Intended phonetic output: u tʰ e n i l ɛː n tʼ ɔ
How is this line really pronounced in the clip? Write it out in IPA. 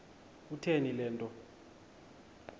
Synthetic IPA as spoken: u tʰ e n i l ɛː n tʼ ɔ